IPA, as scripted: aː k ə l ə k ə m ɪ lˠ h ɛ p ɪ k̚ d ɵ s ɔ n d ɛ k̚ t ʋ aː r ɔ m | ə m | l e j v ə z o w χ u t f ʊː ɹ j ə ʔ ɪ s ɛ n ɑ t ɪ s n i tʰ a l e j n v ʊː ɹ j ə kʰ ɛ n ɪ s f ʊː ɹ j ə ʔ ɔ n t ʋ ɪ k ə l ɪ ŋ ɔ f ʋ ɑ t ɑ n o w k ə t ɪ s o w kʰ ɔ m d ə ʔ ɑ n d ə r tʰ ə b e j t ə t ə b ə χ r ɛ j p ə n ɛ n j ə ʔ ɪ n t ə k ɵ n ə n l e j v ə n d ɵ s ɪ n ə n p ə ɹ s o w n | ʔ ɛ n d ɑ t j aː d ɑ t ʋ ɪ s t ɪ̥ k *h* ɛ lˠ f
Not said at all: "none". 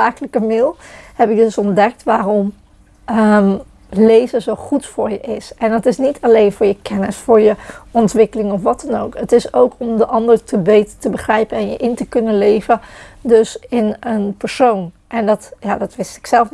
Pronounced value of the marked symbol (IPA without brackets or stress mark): s